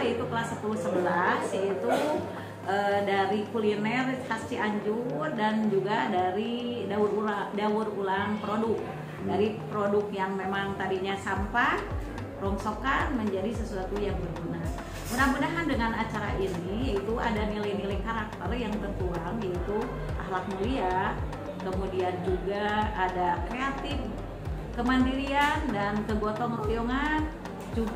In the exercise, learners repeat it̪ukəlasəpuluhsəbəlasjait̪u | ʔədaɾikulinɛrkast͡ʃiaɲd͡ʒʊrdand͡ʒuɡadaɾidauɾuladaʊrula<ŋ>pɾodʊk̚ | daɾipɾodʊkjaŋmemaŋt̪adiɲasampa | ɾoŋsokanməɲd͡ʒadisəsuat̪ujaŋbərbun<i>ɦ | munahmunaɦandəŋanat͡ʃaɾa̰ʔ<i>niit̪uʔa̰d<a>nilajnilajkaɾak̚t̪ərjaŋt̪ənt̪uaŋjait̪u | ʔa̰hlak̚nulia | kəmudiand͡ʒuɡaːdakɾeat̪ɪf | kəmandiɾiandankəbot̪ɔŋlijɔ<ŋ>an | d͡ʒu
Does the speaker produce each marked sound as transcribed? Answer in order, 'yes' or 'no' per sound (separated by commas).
yes, no, yes, yes, yes